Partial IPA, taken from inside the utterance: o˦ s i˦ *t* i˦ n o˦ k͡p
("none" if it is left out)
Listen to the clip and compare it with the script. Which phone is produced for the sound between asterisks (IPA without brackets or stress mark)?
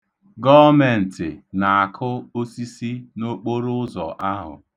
s